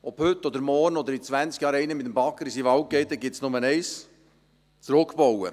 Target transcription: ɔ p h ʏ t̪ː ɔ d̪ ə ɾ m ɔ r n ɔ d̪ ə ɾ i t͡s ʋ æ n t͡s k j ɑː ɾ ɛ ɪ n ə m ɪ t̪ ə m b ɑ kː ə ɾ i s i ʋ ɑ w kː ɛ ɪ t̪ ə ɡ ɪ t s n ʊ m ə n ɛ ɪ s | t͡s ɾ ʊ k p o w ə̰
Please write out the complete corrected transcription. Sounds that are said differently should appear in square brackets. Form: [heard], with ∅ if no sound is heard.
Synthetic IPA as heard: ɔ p h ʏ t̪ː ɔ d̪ ə ɾ m ɔ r n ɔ d̪ ə ɾ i t͡s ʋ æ n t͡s k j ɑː ɾ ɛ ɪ n ə m ɪ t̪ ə m b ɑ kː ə ɾ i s i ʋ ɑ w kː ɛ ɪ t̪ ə ɡ ɪ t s n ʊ m ə n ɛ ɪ s | t͡s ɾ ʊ k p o w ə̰